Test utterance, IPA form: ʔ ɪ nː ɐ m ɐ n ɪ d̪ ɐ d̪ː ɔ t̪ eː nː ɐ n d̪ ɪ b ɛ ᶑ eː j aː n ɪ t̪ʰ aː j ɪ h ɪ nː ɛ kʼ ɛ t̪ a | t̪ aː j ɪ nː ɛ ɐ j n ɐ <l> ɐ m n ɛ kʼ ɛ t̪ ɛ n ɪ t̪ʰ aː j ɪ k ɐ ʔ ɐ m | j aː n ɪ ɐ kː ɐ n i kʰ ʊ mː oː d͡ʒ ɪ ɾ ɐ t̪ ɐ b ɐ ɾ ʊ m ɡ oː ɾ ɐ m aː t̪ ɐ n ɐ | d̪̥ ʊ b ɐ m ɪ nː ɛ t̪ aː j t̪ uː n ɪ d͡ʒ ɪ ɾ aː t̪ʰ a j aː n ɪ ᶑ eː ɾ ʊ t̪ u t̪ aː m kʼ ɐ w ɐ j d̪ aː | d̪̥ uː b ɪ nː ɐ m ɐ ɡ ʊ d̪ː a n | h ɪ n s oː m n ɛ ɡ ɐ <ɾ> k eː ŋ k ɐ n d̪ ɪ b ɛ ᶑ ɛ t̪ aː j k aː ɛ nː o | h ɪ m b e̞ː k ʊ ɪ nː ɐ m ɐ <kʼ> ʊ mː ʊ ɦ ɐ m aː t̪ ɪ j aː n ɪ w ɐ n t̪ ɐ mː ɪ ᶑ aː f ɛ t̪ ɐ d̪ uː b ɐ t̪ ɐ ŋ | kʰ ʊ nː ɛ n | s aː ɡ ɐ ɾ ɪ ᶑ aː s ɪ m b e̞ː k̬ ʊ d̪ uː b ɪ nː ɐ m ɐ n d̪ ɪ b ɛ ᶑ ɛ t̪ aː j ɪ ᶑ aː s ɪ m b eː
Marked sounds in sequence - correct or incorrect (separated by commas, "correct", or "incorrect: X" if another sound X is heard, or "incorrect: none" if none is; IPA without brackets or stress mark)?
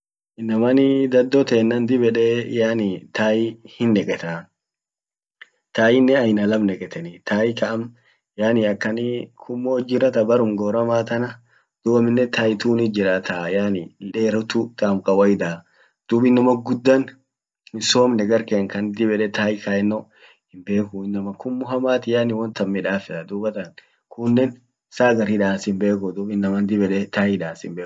correct, correct, incorrect: k